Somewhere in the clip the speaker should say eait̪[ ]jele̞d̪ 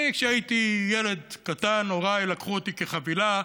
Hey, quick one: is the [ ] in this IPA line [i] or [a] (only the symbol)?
i